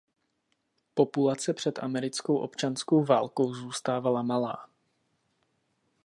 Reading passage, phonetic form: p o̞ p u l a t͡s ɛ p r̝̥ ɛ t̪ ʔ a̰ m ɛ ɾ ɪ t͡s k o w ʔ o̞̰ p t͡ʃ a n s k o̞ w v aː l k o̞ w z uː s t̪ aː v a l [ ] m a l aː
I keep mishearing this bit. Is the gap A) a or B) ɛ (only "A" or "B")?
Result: A